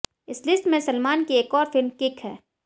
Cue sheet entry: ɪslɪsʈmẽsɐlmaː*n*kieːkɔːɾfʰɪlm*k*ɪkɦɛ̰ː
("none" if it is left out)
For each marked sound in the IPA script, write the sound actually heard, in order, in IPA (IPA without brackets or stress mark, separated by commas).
n, k